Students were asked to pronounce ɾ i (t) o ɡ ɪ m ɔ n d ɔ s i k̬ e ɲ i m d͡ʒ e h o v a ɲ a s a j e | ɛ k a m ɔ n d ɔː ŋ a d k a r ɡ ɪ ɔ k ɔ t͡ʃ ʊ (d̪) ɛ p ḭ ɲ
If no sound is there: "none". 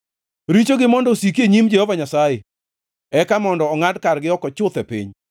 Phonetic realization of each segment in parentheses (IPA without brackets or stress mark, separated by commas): t͡ʃ, t̪